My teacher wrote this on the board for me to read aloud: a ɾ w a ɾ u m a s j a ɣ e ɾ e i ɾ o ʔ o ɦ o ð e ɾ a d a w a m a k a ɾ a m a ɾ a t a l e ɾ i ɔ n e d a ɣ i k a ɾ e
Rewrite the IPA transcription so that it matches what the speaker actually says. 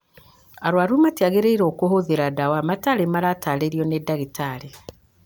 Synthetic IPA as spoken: a ɾ w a ɾ u m a t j a ɣ e ɾ e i ɾ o k o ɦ o ð e ɾ a d a w a m a t a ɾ e m a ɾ a t a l e ɾ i ɔ n e d a ɣ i t a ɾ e